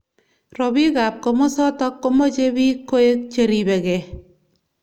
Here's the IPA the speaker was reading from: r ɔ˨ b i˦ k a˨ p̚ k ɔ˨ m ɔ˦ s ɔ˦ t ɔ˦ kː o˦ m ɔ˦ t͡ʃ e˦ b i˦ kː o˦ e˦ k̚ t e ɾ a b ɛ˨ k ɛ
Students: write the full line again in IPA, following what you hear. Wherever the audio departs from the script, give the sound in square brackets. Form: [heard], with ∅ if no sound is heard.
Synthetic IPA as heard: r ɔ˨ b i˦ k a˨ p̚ k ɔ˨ m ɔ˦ s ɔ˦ t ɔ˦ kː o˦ m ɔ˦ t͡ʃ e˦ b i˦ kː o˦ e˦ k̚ [t͡ʃ] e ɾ [i] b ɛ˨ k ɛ

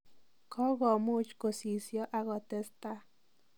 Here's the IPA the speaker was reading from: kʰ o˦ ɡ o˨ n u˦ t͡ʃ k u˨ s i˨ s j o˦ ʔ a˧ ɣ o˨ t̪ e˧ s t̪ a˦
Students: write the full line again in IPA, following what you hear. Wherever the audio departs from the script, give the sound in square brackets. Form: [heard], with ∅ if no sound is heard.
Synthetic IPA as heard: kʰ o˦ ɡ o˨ [m] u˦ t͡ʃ k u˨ s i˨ s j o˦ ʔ a˧ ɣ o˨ t̪ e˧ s t̪ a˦

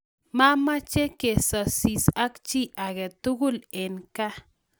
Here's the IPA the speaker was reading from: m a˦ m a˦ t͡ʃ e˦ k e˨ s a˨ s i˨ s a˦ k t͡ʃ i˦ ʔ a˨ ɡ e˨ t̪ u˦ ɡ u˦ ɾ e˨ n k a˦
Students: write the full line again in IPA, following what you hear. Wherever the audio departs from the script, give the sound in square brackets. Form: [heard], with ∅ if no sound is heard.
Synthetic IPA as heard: m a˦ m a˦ t͡ʃ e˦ k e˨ s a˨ s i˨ s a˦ k t͡ʃ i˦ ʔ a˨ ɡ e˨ t̪ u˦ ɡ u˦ [l] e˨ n k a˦

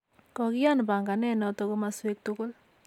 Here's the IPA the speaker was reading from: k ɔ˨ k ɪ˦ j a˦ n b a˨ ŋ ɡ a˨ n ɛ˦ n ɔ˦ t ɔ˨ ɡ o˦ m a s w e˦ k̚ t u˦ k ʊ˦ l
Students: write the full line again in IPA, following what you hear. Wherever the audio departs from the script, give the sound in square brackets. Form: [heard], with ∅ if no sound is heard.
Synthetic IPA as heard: k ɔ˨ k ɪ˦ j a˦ n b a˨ ŋ ɡ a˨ n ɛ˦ n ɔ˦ t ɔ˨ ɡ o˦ m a s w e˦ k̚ t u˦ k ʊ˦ l

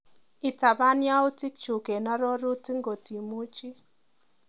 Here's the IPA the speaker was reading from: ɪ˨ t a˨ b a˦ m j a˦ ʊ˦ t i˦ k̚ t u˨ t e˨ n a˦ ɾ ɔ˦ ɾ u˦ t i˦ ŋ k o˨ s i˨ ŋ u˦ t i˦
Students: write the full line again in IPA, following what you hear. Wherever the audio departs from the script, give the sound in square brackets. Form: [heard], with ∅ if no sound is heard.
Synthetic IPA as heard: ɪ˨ t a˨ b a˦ [n] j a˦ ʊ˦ t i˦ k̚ [t͡ʃ] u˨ [k] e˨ n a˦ ɾ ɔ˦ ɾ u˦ t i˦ ŋ [ɡ] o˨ [t] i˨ [m] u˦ [t͡ʃ] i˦

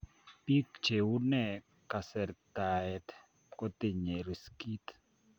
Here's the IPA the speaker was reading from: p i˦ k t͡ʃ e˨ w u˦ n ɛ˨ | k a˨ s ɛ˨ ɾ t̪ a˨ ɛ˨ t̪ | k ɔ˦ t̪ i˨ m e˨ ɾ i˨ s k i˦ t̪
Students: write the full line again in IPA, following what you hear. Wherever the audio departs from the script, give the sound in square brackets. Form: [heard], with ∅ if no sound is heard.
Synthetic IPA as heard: p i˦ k t͡ʃ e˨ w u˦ n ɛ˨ | k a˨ s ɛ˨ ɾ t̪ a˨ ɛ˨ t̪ | k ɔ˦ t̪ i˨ [ɲ] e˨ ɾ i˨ s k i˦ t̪

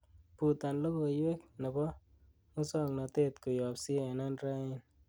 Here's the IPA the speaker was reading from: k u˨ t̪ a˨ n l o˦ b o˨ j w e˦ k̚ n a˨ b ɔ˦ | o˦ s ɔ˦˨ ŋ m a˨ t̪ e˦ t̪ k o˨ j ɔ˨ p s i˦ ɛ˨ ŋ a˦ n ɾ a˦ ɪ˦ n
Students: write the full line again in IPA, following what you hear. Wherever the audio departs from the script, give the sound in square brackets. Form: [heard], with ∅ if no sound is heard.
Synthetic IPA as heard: [p] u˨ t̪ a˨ n l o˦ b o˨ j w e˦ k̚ n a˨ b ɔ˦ | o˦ s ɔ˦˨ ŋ [n] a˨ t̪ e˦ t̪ k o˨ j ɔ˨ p s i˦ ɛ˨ [n] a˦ n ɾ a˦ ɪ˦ n

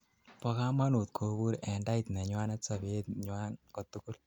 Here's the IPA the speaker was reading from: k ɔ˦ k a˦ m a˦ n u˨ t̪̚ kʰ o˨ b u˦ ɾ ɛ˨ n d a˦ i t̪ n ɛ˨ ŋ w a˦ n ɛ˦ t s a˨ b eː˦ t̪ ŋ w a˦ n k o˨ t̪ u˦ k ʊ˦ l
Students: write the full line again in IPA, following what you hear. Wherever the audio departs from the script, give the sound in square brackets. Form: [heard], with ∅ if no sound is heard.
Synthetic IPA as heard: [p] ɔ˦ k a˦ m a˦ n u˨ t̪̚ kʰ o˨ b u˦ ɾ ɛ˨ n d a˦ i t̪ n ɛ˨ [ɲ] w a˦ n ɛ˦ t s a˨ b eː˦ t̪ [ɲ] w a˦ n k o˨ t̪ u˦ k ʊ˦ l

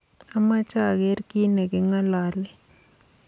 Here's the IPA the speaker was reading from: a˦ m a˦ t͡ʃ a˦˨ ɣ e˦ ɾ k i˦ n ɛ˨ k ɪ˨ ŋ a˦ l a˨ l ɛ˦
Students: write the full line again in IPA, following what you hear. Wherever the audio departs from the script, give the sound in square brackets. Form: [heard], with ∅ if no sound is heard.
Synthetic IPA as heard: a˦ m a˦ t͡ʃ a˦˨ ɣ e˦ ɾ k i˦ n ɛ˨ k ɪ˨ ŋ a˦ l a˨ l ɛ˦

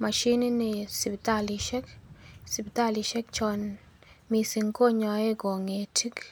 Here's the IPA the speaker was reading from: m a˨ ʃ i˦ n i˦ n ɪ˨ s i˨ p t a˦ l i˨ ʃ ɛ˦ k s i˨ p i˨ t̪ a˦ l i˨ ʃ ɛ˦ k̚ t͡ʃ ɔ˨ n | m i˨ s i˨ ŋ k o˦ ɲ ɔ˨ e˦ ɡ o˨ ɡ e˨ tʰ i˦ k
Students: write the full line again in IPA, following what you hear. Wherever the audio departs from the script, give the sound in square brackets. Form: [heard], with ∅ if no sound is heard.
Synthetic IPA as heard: m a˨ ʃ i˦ n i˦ n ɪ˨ s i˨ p t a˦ l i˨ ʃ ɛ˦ k s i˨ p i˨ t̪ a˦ l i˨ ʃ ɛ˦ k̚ t͡ʃ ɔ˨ n | m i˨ s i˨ ŋ k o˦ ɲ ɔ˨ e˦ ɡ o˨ [ŋ] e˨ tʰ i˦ k

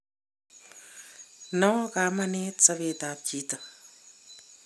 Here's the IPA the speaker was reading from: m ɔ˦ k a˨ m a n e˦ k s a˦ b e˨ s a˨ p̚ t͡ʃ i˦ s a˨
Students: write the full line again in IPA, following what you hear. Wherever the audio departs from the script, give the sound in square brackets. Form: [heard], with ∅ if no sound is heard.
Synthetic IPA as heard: [n] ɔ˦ k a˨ m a n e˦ [t] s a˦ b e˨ [t] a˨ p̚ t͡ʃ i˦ [t] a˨

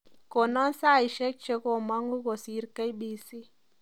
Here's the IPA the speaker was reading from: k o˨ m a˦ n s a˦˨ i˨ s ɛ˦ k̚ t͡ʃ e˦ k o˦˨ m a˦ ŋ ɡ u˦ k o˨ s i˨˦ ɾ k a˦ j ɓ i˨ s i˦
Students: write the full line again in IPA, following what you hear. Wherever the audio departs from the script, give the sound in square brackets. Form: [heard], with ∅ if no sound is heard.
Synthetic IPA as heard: k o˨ [n] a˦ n s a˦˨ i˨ [ʃ] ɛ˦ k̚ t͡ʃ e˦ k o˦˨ m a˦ ŋ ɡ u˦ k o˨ s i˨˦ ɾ k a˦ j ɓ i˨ s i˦

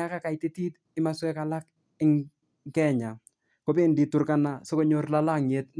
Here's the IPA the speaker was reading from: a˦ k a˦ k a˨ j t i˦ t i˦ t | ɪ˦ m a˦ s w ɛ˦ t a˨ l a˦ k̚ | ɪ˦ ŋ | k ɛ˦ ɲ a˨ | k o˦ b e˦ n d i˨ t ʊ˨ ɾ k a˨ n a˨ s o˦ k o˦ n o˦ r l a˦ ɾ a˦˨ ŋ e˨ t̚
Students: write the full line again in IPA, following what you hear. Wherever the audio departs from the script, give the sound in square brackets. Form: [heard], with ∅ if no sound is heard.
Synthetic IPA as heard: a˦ k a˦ k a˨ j t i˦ t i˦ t | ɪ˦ m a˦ s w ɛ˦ [k] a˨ l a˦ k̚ | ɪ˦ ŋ | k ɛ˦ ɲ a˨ | k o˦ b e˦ n d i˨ t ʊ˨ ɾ k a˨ n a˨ s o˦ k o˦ [ɲ] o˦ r l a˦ [l] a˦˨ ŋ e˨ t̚

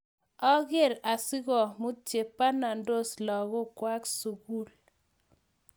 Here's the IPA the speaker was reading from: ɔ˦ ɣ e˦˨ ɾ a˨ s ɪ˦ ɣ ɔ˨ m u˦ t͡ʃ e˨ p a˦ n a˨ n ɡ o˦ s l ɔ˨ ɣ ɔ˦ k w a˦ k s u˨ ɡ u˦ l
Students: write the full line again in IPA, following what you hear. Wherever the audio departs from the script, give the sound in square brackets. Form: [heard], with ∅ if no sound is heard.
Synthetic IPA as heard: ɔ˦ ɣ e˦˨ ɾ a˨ s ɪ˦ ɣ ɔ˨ m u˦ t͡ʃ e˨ p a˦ n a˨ n [d] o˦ s l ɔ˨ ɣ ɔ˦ k w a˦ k s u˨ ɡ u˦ l

